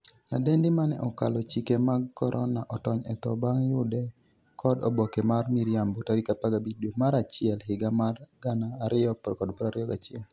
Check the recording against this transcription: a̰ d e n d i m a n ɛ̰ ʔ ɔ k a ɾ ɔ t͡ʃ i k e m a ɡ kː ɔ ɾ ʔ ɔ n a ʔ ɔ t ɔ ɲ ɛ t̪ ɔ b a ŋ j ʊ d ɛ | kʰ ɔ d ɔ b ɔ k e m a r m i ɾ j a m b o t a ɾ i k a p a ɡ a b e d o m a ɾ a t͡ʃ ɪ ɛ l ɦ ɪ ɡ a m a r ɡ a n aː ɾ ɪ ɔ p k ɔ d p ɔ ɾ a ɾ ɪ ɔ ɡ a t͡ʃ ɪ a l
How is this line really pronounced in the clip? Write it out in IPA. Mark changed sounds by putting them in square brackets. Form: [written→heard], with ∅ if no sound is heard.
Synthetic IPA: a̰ d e n d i m a n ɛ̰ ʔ ɔ k a [ɾ→l] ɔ t͡ʃ i k e m a ɡ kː ɔ ɾ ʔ ɔ n a ʔ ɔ t ɔ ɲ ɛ t̪ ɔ b a ŋ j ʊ d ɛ | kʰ ɔ d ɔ b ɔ k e m a r m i ɾ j a m b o t a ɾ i k a p a ɡ a b [e→i] d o m a ɾ a t͡ʃ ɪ ɛ l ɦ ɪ ɡ a m a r ɡ a n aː ɾ ɪ ɔ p k ɔ d p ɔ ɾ a ɾ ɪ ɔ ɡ a t͡ʃ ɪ [a→ɛ] l